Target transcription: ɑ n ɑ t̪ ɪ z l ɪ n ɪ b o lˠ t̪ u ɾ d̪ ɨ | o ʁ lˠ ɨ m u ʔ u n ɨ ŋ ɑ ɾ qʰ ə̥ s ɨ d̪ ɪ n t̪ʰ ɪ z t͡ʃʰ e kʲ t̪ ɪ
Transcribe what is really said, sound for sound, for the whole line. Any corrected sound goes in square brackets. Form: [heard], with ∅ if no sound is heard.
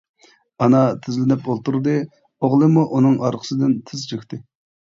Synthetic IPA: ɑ n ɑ [t̪ʰ] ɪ z l ɪ n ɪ [p] o lˠ t̪ u ɾ d̪ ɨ | o ʁ lˠ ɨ m u ʔ u n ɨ ŋ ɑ ɾ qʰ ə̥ s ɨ d̪ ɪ n t̪ʰ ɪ z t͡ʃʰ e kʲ t̪ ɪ